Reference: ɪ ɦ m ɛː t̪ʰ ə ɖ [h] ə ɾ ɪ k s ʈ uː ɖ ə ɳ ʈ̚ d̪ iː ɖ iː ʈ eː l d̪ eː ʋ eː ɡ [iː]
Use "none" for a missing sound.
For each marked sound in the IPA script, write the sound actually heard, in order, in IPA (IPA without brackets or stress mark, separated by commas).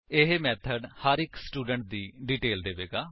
h, aː